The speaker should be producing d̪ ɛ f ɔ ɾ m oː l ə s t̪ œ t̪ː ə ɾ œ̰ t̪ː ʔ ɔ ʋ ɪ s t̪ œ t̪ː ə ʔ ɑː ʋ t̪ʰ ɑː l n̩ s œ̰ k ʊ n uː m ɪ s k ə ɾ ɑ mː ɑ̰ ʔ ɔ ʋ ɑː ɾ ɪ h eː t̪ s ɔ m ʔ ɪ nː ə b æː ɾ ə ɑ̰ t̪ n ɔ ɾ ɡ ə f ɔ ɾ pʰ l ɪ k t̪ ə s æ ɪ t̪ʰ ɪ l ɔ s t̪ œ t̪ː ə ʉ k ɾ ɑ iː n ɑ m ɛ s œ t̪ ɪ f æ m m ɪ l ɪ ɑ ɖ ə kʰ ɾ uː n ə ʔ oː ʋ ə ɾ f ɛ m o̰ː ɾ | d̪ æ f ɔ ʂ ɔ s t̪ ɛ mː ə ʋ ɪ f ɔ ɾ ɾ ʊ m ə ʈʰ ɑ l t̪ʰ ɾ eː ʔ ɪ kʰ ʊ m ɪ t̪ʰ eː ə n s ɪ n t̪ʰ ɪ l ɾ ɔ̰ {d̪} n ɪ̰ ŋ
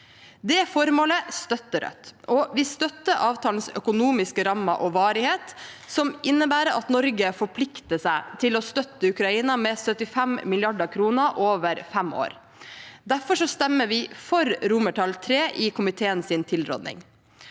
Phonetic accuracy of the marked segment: correct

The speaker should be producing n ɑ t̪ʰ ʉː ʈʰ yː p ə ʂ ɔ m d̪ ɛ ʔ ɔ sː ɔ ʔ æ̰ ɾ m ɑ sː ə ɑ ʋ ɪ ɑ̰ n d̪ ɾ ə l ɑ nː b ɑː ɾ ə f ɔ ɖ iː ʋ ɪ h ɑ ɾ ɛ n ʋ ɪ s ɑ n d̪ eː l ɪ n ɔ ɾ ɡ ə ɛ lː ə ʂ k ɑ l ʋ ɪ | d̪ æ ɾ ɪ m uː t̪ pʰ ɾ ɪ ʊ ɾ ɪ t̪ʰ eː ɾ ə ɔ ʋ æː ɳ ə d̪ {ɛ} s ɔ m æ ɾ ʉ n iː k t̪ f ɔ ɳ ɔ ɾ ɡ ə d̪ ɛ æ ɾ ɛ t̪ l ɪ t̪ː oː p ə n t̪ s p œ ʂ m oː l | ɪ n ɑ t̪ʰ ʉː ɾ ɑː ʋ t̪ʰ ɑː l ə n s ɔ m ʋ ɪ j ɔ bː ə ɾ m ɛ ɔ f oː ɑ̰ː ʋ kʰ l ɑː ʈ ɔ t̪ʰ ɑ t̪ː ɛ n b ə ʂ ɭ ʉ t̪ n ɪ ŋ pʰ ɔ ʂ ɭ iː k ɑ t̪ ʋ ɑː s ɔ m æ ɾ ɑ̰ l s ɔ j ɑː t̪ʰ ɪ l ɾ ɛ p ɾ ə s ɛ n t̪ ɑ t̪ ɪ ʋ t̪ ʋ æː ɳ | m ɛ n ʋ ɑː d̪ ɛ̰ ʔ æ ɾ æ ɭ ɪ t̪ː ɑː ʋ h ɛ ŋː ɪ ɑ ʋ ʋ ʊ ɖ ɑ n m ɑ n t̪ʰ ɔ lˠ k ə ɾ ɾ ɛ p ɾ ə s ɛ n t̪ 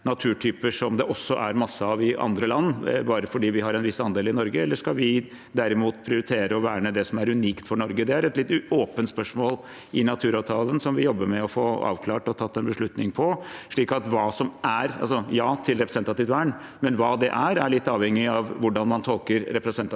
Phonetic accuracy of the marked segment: correct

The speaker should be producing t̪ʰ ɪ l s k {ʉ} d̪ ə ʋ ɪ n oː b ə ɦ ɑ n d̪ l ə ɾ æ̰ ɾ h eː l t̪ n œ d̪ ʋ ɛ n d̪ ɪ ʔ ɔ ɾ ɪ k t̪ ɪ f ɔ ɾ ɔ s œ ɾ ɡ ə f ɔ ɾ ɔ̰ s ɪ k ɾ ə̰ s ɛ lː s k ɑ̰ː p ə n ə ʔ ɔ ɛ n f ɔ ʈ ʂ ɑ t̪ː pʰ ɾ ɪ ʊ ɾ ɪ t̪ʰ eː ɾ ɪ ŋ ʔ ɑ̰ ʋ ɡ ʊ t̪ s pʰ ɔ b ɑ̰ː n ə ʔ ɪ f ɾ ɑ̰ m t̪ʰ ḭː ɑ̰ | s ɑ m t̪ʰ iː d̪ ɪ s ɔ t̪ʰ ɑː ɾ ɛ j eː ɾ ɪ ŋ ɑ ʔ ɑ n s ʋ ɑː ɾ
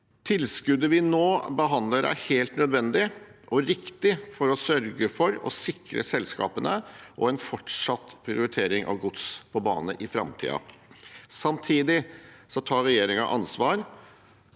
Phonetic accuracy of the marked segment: correct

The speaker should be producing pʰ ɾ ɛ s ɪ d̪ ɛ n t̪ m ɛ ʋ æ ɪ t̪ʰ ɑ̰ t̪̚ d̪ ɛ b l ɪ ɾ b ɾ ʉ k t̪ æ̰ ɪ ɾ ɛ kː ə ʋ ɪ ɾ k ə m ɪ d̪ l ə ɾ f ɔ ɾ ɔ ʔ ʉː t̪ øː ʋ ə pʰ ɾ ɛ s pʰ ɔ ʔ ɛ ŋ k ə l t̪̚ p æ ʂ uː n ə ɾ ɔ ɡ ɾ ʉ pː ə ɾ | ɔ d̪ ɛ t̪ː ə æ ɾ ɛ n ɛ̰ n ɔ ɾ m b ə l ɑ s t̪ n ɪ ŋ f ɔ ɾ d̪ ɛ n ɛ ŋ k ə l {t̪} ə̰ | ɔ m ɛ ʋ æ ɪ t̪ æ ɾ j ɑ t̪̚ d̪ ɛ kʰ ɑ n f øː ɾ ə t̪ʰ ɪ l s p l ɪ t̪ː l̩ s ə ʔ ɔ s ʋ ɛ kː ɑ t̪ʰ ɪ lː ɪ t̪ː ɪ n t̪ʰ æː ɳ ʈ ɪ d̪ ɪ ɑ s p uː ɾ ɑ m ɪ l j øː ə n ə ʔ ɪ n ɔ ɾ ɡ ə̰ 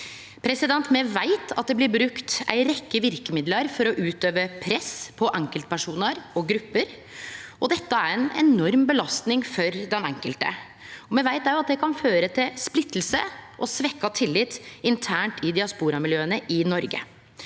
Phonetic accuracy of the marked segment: correct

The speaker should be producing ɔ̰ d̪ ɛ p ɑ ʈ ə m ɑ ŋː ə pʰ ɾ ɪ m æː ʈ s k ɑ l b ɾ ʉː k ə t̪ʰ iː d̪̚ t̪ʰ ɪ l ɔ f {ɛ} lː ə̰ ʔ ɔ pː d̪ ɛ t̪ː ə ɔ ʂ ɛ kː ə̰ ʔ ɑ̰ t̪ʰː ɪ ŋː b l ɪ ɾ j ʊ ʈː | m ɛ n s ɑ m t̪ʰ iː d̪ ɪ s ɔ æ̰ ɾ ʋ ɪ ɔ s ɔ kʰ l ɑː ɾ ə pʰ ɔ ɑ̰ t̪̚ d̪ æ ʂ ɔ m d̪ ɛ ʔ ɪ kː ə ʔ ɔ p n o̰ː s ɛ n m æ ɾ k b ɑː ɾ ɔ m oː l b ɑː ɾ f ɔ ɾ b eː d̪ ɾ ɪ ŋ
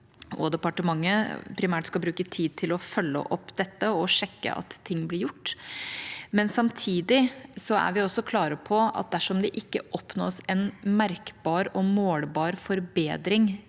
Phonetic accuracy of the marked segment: incorrect: œ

